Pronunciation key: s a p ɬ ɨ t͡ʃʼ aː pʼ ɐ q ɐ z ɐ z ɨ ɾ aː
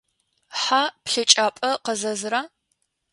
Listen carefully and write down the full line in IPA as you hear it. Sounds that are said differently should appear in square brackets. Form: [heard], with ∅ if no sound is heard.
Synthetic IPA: [ħ] a p ɬ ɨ t͡ʃʼ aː pʼ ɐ q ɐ z ɐ z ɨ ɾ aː

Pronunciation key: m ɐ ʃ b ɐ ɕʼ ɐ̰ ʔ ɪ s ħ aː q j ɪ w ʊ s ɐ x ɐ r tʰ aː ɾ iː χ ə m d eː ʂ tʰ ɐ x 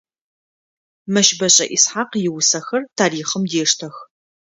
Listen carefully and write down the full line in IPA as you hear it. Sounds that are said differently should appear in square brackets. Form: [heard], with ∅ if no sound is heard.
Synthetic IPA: m ɐ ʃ b ɐ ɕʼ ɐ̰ ʔ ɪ s ħ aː q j ɪ w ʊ s ɐ x ɐ r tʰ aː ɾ iː χ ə m d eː ʂ tʰ ɐ x

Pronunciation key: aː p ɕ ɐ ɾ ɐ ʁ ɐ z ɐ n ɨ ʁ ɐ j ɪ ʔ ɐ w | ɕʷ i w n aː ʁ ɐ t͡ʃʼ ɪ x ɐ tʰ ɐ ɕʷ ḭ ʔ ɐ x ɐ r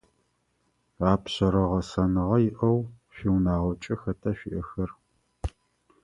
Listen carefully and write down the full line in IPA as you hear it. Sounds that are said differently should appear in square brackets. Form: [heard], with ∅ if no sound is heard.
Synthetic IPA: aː p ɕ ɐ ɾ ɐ ʁ ɐ [s] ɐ n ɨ ʁ ɐ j ɪ ʔ ɐ w | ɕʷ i w n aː ʁ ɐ t͡ʃʼ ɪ x ɐ tʰ ɐ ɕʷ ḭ ʔ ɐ x ɐ r

